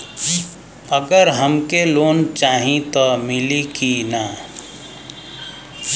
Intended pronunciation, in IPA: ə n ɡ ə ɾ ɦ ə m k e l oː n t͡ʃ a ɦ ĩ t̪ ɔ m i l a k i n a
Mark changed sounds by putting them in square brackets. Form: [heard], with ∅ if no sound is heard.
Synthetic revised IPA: ə [∅] ɡ ə ɾ ɦ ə m k e l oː n t͡ʃ a ɦ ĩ t̪ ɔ m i l [i] k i n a